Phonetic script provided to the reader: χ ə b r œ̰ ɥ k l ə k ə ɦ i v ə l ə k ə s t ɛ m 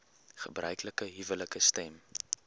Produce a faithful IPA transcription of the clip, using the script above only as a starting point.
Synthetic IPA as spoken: χ ə b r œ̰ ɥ k l ə k ə ɦ i v ə l ə k ə s t ɛ m